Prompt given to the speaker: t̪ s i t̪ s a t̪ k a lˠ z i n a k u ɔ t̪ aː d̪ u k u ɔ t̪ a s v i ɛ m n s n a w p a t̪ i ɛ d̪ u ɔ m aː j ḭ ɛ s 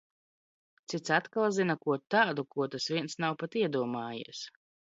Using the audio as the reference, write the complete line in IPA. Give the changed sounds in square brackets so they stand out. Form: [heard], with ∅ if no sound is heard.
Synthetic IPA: t̪ s i t̪ s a t̪ k a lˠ z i n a k u ɔ t̪ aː d̪ u k u ɔ t̪ a s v i ɛ [∅] n s n a w p a t̪ i ɛ d̪ u ɔ m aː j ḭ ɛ s